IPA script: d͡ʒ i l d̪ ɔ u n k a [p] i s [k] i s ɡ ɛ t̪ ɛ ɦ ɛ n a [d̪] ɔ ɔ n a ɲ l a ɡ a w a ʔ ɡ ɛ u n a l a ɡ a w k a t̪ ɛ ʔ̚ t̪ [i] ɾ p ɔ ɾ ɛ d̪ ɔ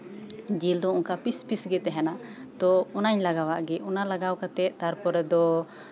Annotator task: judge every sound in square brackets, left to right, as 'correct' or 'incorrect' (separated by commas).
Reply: correct, incorrect, incorrect, incorrect